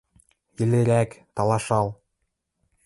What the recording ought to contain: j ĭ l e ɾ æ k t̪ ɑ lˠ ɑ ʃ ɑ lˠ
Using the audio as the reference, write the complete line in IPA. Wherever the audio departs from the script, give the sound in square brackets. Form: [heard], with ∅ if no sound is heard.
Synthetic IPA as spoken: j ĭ l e ɾ æ k t̪ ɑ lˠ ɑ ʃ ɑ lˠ